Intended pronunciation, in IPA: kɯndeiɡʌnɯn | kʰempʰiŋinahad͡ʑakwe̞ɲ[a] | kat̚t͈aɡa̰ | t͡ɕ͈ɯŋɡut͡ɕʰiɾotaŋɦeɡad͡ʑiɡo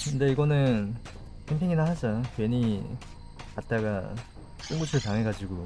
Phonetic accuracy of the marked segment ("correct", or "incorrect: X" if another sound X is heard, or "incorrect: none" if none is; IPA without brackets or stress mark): incorrect: i